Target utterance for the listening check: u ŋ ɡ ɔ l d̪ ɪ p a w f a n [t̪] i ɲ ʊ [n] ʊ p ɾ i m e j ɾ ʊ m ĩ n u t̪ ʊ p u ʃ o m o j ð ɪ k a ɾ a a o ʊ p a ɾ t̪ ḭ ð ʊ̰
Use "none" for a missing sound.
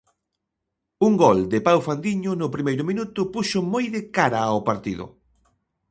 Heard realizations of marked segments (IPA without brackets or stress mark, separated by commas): d̪, n